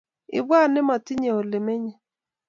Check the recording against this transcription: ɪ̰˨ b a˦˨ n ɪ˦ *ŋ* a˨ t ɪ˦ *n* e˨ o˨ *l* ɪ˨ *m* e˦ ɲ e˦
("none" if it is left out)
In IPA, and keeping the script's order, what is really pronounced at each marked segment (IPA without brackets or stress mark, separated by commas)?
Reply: m, ɲ, l, m